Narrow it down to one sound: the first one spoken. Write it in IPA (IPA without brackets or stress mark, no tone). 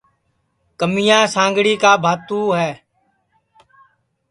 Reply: k